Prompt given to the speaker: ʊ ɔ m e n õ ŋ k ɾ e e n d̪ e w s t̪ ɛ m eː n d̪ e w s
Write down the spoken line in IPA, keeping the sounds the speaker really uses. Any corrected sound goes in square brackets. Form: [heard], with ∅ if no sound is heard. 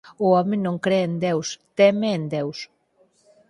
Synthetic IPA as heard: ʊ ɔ m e n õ ŋ k ɾ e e n d̪ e w s t̪ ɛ m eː n d̪ e w s